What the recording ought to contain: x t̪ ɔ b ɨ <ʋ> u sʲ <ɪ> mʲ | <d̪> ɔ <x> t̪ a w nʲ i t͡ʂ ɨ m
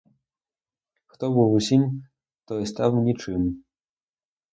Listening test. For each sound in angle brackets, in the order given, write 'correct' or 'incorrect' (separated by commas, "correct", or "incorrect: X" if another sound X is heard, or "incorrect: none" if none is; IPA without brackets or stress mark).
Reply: incorrect: w, incorrect: i, incorrect: t̪, incorrect: s